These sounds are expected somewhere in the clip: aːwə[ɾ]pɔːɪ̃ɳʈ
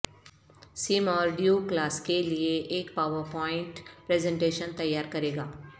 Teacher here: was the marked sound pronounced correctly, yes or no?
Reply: yes